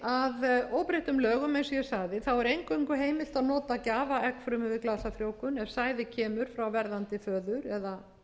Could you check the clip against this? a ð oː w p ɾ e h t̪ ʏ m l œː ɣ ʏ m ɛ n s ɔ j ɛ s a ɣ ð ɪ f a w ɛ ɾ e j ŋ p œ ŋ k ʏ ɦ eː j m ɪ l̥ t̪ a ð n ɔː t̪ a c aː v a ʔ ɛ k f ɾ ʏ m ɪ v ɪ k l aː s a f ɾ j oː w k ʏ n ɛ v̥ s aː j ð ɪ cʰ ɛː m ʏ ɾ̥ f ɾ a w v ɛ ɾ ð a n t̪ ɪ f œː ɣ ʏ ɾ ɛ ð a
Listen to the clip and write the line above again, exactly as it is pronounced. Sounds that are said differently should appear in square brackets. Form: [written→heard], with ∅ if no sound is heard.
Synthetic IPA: a ð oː w p ɾ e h t̪ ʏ m l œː ɣ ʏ m ɛ n s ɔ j ɛ s a ɣ ð ɪ [f→θ] a w ɛ ɾ e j ŋ [p→k] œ ŋ k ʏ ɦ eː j m ɪ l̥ t̪ a ð n ɔː t̪ a c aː v a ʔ ɛ k f ɾ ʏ m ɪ v ɪ k l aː s a f ɾ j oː w k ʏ n ɛ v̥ s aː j ð ɪ cʰ ɛː m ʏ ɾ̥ f ɾ a w v ɛ ɾ ð a n t̪ ɪ f œː [ɣ→ð] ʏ ɾ ɛ ð a